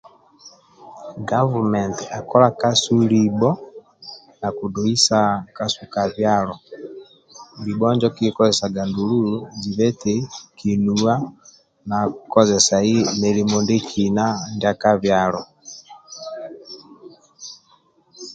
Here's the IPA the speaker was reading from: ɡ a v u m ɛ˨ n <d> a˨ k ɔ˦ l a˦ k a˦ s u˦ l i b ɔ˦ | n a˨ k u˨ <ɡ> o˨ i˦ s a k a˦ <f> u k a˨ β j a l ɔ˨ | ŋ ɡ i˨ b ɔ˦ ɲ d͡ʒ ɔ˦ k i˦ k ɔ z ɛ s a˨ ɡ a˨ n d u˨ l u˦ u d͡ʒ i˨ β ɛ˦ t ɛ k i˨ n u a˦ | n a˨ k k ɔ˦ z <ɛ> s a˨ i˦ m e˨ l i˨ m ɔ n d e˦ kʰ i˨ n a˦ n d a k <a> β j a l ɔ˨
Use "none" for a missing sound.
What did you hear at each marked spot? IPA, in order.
t, d, s, ɛ, a

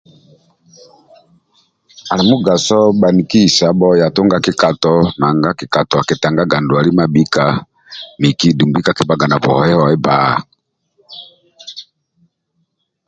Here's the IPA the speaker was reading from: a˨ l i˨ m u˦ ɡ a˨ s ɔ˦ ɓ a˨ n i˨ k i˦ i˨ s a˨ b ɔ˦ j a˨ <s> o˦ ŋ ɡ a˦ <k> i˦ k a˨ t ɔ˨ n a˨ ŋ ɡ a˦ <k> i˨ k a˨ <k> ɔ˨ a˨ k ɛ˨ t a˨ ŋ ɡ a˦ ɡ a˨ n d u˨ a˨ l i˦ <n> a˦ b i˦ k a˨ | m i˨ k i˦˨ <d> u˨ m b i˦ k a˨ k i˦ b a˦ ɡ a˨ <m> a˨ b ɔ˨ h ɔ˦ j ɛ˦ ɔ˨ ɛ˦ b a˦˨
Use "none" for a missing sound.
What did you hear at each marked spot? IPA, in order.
t, k, k, t, m, d, n

